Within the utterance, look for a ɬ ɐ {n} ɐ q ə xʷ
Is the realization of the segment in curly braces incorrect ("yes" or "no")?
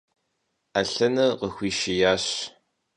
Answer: no